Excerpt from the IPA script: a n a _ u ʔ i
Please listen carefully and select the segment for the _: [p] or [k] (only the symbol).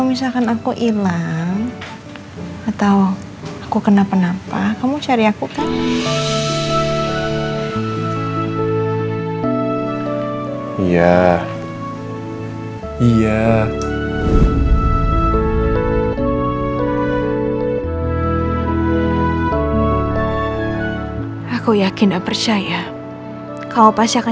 k